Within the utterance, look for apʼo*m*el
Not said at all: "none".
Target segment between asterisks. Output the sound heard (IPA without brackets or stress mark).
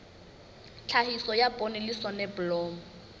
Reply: n